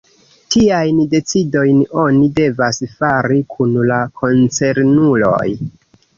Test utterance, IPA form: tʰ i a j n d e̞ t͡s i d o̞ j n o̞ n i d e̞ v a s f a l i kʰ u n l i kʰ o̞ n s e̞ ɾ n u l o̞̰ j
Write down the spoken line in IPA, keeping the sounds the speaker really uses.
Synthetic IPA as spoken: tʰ i a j n d e̞ t͡s i d o̞ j n o̞ n i d e̞ v a s f a ɾ i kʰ u n l a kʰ o̞ n t͡s e̞ ɾ n u l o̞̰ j